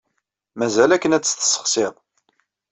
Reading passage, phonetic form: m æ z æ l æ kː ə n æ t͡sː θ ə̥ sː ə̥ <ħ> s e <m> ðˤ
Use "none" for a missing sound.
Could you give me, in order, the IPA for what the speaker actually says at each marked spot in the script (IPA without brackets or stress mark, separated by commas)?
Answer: χ, none